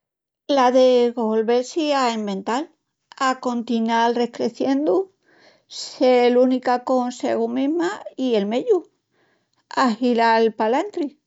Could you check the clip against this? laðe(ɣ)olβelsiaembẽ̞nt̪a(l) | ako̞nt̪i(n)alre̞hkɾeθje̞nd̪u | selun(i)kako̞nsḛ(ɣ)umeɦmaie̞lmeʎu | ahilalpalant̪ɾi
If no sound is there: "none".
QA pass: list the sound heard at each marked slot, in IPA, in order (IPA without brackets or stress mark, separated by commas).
ɣ, l, n, i, ɣ